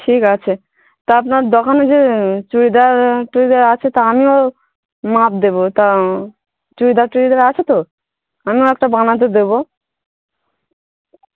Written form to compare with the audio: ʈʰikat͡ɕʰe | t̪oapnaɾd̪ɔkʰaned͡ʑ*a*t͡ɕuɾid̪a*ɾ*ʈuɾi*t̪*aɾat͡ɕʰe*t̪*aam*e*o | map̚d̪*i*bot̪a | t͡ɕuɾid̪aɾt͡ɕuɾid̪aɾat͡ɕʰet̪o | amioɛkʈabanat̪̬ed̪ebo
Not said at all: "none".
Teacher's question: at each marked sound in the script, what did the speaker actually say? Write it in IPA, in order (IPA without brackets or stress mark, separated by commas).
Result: e, ɾ, d̪, t̪, i, e